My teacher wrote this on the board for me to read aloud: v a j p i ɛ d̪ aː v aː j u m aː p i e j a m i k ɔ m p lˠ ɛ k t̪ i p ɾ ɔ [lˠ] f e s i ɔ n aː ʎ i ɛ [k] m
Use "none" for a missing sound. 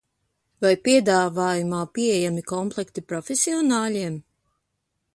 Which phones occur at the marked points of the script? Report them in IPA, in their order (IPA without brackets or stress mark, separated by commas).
none, none